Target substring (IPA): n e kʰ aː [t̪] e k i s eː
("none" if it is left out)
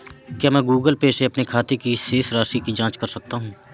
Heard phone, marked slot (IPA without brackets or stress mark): t̪